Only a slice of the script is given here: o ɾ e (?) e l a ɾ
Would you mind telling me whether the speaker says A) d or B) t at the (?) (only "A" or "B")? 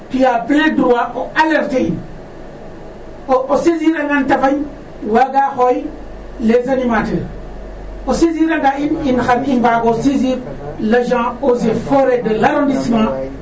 A